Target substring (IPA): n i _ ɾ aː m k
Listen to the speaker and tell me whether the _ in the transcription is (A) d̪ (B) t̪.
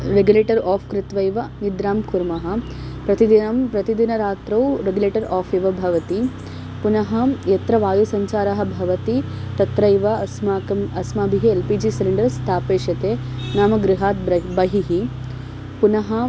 A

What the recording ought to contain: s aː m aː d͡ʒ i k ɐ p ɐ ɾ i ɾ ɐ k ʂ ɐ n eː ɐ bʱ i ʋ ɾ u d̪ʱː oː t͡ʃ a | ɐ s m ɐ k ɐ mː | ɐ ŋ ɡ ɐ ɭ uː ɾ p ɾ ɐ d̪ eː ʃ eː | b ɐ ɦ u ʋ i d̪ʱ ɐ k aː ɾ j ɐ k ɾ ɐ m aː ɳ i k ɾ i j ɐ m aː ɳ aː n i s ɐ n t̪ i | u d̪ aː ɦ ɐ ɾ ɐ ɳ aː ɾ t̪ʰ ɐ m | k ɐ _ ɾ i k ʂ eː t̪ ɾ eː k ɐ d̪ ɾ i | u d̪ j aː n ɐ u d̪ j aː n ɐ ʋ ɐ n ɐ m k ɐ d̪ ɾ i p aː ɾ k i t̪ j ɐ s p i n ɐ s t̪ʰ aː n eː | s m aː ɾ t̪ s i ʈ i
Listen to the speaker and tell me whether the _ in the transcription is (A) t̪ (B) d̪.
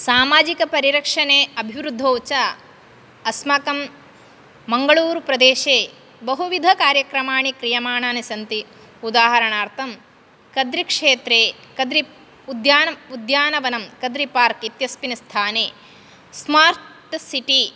B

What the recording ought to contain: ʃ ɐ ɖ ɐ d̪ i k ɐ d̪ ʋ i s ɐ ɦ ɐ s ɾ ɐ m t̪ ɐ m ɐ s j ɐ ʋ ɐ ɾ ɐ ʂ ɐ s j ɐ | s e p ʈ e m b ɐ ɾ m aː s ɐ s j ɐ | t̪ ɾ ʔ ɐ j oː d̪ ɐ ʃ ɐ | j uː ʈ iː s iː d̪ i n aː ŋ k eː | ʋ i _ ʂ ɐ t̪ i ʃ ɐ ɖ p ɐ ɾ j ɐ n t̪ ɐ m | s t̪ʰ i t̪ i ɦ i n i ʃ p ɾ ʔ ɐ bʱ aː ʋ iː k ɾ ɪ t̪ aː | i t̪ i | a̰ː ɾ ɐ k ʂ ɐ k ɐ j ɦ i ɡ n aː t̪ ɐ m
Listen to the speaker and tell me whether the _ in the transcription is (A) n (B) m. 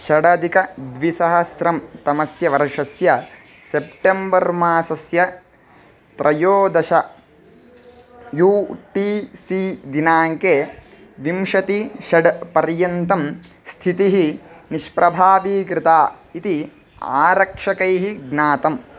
B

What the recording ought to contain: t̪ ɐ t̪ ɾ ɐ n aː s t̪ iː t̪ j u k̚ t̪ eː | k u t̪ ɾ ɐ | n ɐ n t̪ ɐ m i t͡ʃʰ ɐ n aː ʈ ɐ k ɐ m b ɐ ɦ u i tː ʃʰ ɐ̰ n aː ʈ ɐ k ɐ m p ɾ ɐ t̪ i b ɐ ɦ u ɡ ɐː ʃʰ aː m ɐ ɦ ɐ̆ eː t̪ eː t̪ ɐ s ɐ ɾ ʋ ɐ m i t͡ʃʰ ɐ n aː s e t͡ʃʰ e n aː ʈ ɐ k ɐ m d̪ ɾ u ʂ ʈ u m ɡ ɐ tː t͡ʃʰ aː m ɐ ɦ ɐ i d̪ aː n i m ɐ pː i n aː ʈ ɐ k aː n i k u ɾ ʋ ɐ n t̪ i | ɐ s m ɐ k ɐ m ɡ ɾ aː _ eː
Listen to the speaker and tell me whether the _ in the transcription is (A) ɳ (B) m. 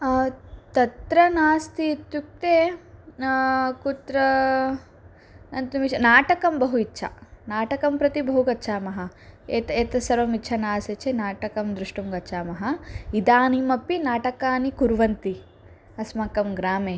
B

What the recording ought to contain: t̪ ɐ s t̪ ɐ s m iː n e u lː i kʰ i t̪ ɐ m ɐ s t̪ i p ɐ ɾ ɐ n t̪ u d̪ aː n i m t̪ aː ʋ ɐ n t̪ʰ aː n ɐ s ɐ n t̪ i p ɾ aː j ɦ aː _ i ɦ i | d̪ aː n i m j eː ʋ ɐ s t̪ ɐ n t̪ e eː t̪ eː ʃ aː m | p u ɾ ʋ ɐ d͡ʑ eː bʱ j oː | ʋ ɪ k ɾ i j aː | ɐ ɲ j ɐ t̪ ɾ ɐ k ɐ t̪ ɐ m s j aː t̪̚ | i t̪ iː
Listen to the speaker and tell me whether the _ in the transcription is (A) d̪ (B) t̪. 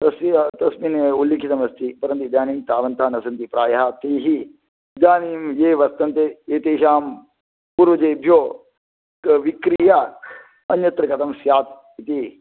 B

